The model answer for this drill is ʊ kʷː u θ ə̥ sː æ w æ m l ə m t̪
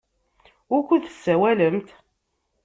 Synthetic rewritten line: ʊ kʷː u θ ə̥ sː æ w æ l ə m t̪

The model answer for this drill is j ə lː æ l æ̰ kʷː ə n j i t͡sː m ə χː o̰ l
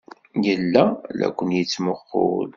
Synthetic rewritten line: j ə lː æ l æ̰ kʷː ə n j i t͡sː m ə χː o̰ l

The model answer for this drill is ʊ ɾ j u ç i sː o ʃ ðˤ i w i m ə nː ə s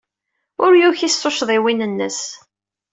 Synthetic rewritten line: ʊ ɾ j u ç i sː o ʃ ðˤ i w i n ə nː ə s

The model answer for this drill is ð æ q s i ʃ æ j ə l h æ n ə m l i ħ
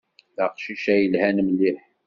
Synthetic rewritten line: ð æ q ʃ i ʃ æ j ə l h æ n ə m l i ħ

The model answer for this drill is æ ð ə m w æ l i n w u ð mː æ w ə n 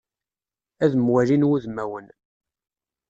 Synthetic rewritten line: æ ð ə m w æ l i n w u ð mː æ w ə n

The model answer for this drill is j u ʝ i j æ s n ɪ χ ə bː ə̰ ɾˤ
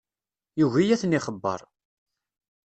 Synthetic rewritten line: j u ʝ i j æ θ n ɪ χ ə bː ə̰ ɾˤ

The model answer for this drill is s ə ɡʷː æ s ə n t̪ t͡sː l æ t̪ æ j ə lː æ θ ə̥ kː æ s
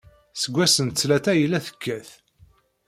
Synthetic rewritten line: s ə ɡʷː æ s ə n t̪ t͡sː l æ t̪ æ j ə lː æ θ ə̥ kː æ θ

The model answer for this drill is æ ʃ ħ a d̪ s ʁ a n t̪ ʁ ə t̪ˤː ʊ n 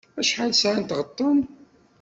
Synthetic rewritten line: æ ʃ ħ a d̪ s ʕ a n t̪ ʁ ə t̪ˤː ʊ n

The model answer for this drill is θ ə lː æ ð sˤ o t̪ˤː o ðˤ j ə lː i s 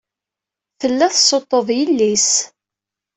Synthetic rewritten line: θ ə lː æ θ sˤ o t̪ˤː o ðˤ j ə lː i s

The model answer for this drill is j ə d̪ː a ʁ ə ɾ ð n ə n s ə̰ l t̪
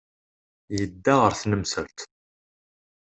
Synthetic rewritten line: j ə d̪ː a ʁ ə ɾ θ n ə m s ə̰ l t̪

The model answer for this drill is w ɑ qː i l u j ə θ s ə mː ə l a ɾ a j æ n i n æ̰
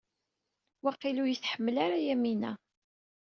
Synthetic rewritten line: w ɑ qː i l u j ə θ ħ ə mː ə l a ɾ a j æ m i n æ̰

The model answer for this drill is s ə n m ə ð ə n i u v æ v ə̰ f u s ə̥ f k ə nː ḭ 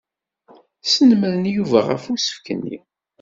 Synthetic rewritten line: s ə n m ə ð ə n j u v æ ʁ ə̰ f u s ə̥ f k ə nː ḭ

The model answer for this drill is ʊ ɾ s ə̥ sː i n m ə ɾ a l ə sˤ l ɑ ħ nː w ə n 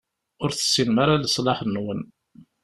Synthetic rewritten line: ʊ ɾ θ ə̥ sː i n m a ɾ a l ə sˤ l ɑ ħ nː w ə n

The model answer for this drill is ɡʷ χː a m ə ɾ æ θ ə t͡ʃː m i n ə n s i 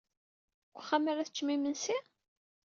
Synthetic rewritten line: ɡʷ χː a m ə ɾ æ θ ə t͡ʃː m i m ə n s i

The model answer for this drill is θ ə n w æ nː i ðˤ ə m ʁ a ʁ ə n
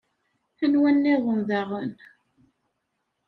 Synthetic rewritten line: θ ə n w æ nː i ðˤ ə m ð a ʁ ə n

